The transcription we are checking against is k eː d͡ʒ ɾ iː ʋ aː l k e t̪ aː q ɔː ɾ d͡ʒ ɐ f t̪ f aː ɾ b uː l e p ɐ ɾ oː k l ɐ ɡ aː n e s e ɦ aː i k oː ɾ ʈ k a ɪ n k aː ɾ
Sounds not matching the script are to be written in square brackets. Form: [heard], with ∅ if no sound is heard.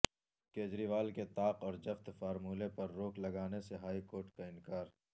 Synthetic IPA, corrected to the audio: k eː d͡ʒ ɾ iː ʋ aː l k e t̪ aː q ɔː ɾ d͡ʒ ɐ f t̪ f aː ɾ [m] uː l e p ɐ [ɾː] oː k l ɐ ɡ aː n e s e ɦ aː i k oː ɾ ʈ k a ɪ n k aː ɾ

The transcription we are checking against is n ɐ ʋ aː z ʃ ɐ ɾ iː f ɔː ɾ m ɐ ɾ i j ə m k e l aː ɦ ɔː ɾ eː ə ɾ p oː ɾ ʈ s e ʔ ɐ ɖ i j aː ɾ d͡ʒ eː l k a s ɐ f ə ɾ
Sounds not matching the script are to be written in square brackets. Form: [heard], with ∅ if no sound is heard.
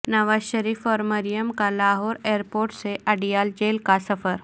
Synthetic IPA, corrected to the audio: n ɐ ʋ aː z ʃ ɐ ɾ iː f ɔː ɾ m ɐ ɾ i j ə m k [a] l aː ɦ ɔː ɾ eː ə ɾ p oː ɾ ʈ s e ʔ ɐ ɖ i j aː [l] d͡ʒ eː l k a s ɐ f ə ɾ

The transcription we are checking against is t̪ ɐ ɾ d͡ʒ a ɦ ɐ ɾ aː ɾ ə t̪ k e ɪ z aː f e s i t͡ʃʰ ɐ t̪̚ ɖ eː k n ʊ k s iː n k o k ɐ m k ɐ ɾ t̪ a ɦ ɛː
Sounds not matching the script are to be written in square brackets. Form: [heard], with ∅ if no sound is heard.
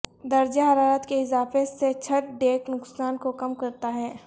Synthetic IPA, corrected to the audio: [d̪] ɐ ɾ d͡ʒ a ɦ ɐ ɾ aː ɾ ə t̪ k e ɪ z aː f e s [e] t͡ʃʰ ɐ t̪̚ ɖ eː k n ʊ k s [aː] n k o k ɐ m k ɐ ɾ t̪ a ɦ ɛː

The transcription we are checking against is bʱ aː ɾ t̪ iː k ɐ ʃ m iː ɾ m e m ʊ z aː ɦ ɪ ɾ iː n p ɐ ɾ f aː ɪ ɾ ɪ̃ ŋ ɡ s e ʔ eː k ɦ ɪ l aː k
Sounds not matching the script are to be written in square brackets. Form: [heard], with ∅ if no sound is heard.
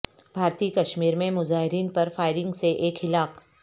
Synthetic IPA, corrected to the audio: bʱ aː ɾ t̪ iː k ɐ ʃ m iː ɾ m [ẽ] m ʊ z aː ɦ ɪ ɾ iː n p ɐ ɾ f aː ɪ ɾ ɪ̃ ŋ ɡ s e ʔ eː k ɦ ɪ l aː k

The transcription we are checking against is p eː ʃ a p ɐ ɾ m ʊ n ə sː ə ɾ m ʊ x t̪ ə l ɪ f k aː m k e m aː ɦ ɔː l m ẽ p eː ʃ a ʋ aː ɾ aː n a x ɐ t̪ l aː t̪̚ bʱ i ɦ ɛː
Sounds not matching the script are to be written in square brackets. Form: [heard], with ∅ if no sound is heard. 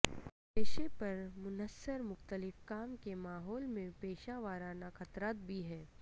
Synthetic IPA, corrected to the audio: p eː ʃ [e] p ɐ ɾ m ʊ n ə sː ə ɾ m ʊ x t̪ ə l ɪ f k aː m k e m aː ɦ ɔː l m ẽ p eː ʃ a ʋ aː ɾ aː n a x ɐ t̪ [ɾ] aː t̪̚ bʱ i ɦ ɛː

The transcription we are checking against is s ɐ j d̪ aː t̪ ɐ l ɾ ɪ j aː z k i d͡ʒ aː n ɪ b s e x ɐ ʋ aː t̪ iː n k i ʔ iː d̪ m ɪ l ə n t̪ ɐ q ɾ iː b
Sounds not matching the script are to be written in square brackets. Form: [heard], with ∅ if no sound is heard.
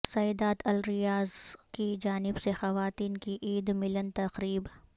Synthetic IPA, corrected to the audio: s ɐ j d̪ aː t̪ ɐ l ɾ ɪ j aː z k i d͡ʒ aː n ɪ b s e x ɐ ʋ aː t̪ iː n k i ʔ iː d̪ m ɪ l ə n t̪ ɐ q ɾ iː b

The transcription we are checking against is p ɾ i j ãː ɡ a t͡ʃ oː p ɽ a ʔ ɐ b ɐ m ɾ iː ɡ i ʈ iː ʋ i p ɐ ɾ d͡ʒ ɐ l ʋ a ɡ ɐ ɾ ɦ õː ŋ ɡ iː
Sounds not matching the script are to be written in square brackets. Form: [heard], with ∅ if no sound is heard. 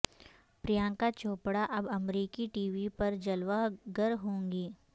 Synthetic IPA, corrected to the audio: p ɾ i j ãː [k] a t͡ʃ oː p ɽ a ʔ ɐ b ɐ m ɾ iː [k] i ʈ iː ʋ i p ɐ ɾ d͡ʒ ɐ l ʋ a ɡ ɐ ɾ ɦ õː ŋ ɡ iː

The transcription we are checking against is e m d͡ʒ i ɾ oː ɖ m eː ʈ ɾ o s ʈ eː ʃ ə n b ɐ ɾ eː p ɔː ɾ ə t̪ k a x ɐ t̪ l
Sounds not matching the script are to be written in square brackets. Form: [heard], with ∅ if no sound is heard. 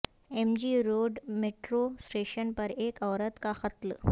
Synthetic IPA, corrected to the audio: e m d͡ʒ i ɾ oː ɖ m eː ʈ ɾ o s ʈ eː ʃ ə n [p] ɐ ɾ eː [k] ɔː ɾ ə t̪ k a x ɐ t̪ l

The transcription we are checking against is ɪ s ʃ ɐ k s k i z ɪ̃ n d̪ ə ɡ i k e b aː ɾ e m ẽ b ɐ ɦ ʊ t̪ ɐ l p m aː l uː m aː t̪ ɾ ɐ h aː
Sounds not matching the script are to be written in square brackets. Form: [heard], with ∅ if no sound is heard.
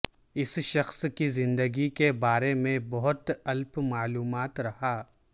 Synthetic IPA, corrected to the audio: ɪ s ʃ ɐ [x] s k i z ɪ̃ n d̪ ə ɡ i k e b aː ɾ e m ẽ b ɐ ɦ ʊ t̪ ɐ l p m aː l uː m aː t̪ ɾ ɐ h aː

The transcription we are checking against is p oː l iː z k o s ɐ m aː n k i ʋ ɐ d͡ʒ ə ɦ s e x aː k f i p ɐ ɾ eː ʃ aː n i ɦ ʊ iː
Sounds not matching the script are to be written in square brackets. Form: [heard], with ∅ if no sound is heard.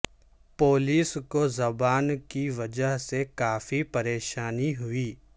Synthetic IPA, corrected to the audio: p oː l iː [s] k o [z] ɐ [b] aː n k i ʋ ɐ d͡ʒ ə ɦ s e [k] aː [∅] f i p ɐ ɾ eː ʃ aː n i ɦ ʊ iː

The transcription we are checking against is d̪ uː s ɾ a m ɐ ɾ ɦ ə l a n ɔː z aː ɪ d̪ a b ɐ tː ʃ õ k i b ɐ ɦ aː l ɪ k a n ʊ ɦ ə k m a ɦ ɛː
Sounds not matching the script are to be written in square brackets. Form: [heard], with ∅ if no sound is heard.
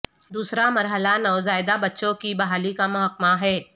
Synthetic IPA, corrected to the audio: d̪ uː s ɾ a m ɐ ɾ ɦ ə l a n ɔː z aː ɪ d̪ a b ɐ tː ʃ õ k i b ɐ ɦ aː l [i] k a [m] ʊ ɦ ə k m a ɦ ɛː

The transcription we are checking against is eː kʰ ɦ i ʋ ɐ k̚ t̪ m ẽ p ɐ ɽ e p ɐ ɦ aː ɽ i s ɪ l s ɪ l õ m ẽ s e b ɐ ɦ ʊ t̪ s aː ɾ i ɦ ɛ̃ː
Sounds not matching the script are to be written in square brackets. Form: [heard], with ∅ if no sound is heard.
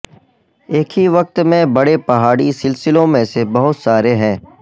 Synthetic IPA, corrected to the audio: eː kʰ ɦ i ʋ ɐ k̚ t̪ m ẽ [b] ɐ ɽ e p ɐ ɦ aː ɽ i s ɪ l s ɪ l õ m ẽ s e b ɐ ɦ ʊ t̪ s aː ɾ [e] ɦ ɛ̃ː

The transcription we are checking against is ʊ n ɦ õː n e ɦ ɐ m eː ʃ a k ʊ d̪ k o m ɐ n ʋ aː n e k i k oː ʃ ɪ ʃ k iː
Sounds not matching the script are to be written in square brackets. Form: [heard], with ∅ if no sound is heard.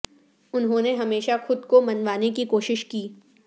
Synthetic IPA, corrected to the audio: ʊ n ɦ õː n e ɦ ɐ m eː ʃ a [x] ʊ d̪ k o m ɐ n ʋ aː n e k i k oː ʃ ɪ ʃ k iː

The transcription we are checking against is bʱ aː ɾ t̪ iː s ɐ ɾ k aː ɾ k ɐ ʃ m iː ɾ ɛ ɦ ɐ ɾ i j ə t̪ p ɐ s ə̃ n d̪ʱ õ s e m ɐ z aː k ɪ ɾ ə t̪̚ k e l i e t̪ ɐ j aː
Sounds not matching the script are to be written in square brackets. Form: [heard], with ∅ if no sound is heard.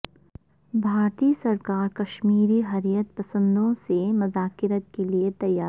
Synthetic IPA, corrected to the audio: bʱ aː ɾ t̪ iː s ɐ ɾ k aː ɾ k ɐ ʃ m iː ɾ [i] ɦ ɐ ɾ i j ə t̪ p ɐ s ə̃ n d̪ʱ õ s e m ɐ z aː k ɪ ɾ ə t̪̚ k e l i e t̪ ɐ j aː

